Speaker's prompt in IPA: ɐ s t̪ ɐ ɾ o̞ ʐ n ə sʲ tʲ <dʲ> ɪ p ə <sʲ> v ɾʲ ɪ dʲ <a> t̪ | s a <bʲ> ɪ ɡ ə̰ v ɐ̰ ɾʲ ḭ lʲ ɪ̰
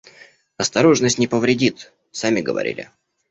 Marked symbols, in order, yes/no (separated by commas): no, no, no, no